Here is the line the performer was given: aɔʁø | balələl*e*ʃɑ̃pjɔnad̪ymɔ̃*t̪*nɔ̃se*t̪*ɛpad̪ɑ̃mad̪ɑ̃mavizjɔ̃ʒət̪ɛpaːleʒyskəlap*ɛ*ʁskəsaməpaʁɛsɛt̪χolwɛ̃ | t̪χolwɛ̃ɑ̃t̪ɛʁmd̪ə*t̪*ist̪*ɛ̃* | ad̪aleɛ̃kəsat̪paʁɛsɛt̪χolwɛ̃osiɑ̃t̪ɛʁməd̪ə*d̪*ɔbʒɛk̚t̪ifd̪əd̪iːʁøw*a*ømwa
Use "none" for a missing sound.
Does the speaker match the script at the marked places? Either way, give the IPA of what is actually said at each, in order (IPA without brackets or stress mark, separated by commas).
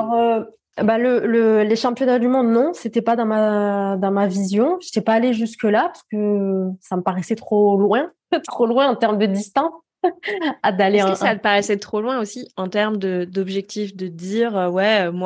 e, d̪, t̪, a, d̪, ɛ̃, d̪, ɛ